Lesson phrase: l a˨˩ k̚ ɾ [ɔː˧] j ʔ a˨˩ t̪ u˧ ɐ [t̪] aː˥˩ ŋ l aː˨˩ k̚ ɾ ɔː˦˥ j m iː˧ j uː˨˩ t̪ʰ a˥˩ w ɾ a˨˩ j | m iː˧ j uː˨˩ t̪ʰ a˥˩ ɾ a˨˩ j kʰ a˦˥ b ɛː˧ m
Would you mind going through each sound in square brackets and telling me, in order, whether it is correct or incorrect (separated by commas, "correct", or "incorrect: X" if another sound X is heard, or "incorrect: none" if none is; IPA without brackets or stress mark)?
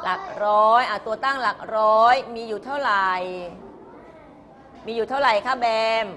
incorrect: ɔː˦˥, correct